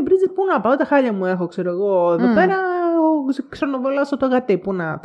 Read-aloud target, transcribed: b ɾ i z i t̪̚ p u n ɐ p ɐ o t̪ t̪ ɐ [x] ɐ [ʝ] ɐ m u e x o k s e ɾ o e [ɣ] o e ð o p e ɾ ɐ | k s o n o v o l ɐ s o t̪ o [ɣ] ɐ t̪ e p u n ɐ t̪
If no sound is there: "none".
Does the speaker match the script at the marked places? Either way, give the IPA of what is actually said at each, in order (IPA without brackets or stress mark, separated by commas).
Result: x, ʎ, ɣ, ɣ